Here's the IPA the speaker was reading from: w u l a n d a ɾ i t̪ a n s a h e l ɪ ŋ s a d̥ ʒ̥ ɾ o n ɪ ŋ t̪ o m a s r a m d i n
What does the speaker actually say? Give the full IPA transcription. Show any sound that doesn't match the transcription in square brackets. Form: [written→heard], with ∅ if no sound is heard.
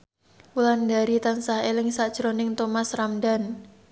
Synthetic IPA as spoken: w u l a n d a ɾ i t̪ a n s a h e l ɪ ŋ s a d̥ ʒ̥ ɾ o n ɪ ŋ t̪ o m a s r a m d [i→a] n